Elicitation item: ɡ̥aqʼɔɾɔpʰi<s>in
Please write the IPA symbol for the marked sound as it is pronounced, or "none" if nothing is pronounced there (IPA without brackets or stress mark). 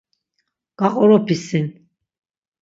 s